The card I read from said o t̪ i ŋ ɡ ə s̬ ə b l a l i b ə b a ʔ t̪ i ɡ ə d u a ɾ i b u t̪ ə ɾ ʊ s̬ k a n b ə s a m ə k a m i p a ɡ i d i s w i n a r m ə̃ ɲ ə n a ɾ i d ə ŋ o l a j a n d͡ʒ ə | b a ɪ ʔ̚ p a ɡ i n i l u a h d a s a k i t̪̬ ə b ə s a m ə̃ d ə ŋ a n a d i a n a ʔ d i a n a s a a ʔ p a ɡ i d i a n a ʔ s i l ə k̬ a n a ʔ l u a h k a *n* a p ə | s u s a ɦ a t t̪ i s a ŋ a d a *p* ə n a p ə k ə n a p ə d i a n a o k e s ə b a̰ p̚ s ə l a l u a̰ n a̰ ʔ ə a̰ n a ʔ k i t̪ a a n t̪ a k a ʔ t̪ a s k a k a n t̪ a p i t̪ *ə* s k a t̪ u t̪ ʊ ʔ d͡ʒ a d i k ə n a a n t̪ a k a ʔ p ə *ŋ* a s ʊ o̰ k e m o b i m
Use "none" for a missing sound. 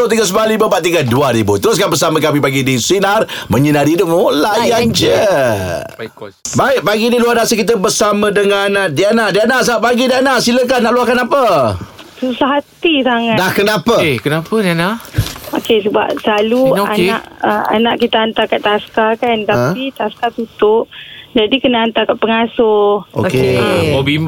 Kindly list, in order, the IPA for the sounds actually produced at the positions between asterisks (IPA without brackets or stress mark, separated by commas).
n, k, a, ŋ